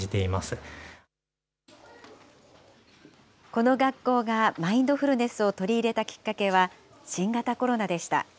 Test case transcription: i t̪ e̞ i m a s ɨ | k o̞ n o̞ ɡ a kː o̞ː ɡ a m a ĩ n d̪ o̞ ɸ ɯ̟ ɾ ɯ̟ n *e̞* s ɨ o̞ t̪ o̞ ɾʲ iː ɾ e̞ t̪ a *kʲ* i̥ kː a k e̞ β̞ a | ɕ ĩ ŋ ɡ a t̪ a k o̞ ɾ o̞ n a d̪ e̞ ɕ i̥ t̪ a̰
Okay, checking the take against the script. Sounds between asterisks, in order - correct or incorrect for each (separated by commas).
correct, correct